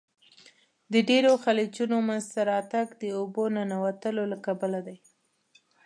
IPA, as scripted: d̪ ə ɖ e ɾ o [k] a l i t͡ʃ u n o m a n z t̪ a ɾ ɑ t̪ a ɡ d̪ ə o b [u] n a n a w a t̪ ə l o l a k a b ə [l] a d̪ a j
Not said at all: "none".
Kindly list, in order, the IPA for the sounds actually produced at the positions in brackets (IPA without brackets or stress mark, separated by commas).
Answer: x, o, l